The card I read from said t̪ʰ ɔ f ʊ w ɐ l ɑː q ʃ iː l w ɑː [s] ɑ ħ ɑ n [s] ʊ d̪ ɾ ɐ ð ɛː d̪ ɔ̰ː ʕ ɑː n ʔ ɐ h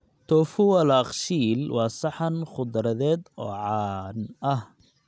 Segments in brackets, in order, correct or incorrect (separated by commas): correct, incorrect